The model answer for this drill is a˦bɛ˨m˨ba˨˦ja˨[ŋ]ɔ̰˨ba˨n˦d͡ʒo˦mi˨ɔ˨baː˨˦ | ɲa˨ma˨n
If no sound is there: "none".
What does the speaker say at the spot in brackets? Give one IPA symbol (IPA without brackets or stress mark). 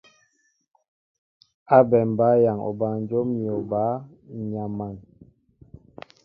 ŋ